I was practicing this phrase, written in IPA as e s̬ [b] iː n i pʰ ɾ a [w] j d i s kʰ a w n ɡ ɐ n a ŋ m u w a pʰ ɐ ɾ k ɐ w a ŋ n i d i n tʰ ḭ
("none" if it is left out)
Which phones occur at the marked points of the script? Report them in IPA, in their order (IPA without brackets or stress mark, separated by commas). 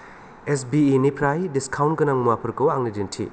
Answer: b, none